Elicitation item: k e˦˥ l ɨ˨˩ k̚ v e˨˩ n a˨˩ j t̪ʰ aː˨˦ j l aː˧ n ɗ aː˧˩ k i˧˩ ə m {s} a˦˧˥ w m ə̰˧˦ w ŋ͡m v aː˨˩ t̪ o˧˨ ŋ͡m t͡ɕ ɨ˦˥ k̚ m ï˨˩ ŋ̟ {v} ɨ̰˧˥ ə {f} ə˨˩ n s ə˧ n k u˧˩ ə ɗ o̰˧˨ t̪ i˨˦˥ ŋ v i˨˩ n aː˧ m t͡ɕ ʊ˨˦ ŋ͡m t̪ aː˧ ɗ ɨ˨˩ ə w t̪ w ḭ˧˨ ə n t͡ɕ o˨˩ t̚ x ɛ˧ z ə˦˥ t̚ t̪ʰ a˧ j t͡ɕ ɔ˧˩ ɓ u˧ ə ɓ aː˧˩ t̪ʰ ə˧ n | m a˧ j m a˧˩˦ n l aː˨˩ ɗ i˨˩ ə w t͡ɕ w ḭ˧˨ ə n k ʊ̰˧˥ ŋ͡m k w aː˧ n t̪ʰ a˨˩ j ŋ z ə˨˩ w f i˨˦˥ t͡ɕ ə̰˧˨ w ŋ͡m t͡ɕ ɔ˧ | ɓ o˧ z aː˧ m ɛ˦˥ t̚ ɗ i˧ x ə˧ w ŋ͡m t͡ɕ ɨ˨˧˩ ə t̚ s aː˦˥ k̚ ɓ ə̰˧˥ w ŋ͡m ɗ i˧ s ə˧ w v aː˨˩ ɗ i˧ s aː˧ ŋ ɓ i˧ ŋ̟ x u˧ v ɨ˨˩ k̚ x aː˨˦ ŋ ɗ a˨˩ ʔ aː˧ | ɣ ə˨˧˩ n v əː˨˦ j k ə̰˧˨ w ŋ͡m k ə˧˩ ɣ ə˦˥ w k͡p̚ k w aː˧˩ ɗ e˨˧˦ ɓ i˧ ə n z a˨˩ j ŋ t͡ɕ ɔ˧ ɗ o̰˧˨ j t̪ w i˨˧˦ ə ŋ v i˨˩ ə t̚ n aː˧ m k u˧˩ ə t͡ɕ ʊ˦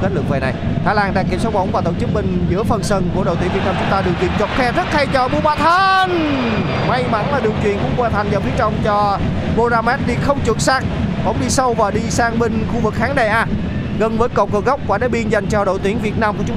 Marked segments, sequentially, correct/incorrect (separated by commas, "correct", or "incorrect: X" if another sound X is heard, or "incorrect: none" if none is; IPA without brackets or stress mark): correct, incorrect: z, correct